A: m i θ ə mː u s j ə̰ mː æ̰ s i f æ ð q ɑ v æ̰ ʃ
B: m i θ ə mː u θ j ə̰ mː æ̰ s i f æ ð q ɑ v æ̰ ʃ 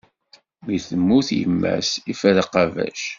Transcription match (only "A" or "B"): B